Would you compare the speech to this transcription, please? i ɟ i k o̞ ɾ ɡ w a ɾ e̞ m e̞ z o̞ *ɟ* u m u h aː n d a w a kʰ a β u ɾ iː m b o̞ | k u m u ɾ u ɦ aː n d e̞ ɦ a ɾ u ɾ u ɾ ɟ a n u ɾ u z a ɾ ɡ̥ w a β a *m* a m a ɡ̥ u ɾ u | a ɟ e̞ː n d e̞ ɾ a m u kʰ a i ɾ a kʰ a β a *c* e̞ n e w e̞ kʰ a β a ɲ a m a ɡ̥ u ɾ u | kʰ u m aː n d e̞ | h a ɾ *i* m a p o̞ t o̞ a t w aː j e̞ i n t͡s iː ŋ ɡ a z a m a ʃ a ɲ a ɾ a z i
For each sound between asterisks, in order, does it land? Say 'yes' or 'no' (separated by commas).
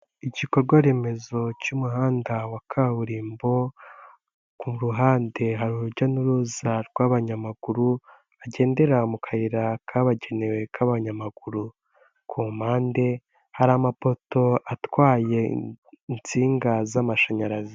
no, no, no, no